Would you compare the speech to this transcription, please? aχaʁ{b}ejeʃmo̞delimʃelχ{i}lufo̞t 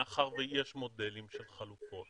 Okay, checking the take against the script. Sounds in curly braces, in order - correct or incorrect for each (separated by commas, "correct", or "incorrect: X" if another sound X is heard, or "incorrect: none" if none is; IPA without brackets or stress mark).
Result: incorrect: v, incorrect: a